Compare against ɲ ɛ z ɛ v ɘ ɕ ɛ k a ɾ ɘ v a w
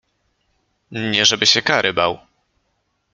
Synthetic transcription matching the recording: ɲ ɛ ʐ ɛ b ɘ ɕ ɛ k a ɾ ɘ b a w